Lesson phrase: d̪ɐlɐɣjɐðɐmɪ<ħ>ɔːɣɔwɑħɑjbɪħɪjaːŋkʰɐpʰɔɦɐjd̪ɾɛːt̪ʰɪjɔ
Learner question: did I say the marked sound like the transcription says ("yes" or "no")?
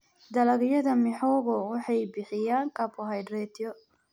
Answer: yes